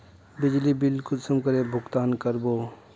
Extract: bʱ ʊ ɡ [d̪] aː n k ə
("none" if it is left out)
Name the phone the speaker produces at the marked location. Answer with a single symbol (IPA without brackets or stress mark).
t̪